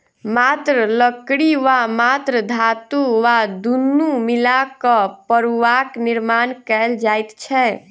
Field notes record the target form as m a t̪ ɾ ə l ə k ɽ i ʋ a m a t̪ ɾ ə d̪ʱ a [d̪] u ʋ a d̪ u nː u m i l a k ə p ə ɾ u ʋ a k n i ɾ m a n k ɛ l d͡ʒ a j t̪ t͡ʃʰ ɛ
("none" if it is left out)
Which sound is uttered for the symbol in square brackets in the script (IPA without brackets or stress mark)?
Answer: t̪